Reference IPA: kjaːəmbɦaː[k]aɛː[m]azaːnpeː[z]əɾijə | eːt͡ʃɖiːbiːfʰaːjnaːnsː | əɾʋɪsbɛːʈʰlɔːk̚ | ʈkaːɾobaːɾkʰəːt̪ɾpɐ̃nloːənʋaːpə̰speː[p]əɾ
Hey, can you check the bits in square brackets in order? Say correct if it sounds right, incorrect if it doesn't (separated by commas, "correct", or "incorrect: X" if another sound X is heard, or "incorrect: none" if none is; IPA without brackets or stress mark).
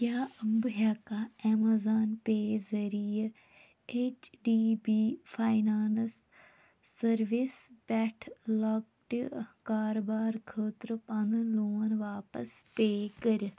correct, correct, correct, incorrect: k